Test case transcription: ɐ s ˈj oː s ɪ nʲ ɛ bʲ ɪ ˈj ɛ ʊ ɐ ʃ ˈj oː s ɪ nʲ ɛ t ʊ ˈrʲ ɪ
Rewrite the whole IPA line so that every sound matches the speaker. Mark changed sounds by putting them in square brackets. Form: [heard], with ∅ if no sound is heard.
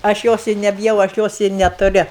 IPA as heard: ɐ [ʃ] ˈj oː s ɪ nʲ ɛ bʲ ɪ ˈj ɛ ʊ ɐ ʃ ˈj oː s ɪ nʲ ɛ t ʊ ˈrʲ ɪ

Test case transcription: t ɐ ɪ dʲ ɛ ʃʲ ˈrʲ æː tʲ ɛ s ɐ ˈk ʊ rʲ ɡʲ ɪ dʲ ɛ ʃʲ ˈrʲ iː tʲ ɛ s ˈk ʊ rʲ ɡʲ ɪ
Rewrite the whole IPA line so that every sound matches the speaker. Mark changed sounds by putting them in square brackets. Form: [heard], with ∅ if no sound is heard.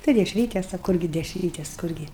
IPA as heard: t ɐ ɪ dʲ ɛ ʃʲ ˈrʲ [iː] tʲ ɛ s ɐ ˈk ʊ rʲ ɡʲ ɪ dʲ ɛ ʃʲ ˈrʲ iː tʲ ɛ s ˈk ʊ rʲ ɡʲ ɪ

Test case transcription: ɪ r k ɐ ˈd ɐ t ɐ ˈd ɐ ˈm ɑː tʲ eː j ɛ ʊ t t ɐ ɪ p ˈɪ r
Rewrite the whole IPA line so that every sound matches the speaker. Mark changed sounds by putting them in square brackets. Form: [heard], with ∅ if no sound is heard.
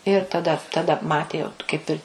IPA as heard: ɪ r [t] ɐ ˈd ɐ t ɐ ˈd ɐ ˈm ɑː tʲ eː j ɛ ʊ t [k] ɐ ɪ p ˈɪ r

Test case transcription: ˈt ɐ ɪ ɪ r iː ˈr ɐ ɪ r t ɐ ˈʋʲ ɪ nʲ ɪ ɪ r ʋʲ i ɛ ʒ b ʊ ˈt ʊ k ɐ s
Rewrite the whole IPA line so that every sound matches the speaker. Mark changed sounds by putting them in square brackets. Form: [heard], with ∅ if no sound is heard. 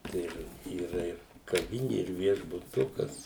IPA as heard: ˈt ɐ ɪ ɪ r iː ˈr ɐ ɪ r [k] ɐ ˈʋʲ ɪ nʲ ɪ ɪ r ʋʲ i ɛ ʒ b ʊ ˈt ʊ k ɐ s

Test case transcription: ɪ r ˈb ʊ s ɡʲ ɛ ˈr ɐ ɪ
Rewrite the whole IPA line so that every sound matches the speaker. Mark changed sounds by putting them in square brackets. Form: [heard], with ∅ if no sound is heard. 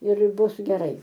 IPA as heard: ɪ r ˈb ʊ s ɡʲ ɛ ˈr ɐ ɪ

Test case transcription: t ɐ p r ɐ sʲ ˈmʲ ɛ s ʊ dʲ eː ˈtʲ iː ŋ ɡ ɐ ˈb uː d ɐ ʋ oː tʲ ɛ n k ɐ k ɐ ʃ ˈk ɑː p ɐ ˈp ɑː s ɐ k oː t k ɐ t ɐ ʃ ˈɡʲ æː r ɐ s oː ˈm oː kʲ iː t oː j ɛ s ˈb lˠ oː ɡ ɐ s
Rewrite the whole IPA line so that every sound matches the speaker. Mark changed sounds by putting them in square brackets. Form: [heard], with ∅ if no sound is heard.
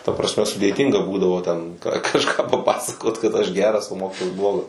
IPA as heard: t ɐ p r ɐ sʲ ˈmʲ ɛ s ʊ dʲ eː ˈtʲ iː ŋ ɡ ɐ ˈb uː d ɐ ʋ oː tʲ ɛ n k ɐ k ɐ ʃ ˈk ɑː p ɐ ˈp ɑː s ɐ k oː t k ɐ t ɐ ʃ ˈɡʲ æː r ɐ s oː ˈm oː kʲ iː t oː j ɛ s ˈb lˠ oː ɡ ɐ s

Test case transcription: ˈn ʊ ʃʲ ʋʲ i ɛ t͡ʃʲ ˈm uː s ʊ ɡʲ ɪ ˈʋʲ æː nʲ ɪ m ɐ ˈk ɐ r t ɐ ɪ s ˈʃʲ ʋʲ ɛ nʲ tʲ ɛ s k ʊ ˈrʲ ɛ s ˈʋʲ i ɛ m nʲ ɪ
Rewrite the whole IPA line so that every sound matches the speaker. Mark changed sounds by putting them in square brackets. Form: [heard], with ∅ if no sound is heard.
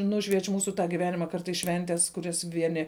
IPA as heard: ˈn ʊ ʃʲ ʋʲ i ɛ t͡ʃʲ ˈm uː s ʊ ɡʲ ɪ ˈʋʲ æː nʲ ɪ m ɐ ˈk ɐ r t ɐ ɪ s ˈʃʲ ʋʲ ɛ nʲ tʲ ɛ s k ʊ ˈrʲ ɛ s ˈʋʲ i ɛ [∅] nʲ ɪ

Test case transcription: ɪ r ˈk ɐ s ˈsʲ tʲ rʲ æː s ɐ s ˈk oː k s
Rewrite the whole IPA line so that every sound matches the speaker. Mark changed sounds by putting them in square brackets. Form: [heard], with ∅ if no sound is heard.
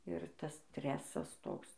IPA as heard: ɪ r [ˈt] ɐ s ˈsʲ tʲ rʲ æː s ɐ s [ˈt] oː k s

